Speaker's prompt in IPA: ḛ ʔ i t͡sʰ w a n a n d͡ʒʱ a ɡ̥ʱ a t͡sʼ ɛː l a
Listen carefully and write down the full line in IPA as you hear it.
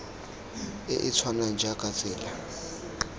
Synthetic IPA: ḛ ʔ i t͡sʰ w a n a n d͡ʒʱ a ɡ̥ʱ a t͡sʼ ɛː l a